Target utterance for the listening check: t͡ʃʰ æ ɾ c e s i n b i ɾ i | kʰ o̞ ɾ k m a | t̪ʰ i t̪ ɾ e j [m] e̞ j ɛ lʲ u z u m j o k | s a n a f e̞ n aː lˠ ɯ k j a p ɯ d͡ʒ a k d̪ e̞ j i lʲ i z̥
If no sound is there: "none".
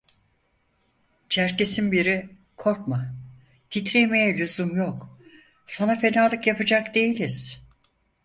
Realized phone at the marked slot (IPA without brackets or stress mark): m